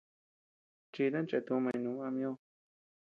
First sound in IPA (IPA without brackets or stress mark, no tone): t͡ʃ